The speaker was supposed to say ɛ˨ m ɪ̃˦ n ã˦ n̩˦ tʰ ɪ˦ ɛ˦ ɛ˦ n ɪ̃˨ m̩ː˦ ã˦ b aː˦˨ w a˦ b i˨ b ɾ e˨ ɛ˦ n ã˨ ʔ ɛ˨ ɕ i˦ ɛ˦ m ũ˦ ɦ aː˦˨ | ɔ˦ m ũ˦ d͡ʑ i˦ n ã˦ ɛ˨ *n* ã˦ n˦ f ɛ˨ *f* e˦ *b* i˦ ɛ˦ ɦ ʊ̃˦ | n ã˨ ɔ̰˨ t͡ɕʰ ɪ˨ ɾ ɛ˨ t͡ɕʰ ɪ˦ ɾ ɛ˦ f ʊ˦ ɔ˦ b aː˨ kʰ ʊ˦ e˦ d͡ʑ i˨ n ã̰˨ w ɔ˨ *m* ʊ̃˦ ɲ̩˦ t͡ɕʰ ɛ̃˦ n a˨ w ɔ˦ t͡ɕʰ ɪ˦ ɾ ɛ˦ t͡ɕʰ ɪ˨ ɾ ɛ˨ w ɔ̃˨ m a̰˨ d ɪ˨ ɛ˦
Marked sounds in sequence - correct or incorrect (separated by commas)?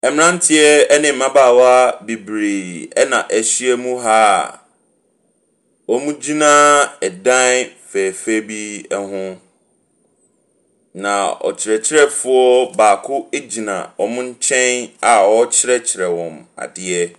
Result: incorrect, correct, correct, correct